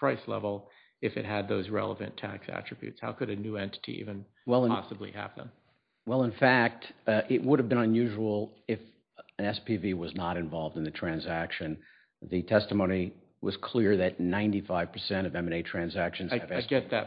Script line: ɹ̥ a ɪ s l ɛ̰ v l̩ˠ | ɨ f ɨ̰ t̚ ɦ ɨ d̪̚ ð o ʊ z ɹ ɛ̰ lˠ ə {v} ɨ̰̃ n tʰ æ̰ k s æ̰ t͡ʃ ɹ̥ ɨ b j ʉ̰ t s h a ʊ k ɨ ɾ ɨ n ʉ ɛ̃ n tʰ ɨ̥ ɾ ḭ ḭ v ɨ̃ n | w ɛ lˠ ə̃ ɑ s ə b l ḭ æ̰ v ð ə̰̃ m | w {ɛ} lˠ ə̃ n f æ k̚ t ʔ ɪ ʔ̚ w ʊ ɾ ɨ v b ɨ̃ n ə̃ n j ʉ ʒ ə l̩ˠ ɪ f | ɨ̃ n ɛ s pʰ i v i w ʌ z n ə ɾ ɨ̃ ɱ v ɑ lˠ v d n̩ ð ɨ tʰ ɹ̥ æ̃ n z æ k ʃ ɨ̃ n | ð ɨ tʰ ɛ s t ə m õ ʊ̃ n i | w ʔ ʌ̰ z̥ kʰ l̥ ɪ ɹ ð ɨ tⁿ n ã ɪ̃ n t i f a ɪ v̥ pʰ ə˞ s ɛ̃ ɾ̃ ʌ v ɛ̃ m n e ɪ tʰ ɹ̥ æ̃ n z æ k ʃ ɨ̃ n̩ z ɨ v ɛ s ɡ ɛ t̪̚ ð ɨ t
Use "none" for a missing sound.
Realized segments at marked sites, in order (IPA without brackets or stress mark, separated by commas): v, ɛ